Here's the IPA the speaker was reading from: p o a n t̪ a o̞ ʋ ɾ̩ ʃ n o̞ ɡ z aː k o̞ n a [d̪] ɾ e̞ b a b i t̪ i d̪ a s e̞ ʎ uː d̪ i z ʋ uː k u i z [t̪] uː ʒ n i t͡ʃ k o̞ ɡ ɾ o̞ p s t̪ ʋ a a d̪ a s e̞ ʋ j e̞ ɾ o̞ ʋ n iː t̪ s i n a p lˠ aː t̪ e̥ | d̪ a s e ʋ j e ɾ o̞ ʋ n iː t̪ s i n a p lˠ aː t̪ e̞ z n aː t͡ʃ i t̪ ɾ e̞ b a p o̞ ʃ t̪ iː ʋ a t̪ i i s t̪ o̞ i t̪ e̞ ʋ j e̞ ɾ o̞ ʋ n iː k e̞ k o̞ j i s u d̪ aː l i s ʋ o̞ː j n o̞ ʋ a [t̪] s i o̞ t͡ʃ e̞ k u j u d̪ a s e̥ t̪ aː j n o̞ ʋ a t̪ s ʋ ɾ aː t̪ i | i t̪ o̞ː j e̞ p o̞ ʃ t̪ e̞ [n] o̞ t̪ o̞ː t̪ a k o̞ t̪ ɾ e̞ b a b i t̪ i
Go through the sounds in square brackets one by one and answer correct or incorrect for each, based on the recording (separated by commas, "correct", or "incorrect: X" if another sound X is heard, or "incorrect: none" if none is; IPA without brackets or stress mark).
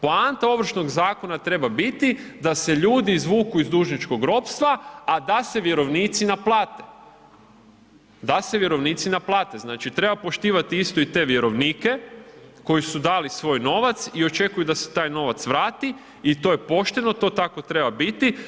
incorrect: t̪, incorrect: d̪, correct, correct